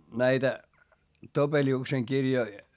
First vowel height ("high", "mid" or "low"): low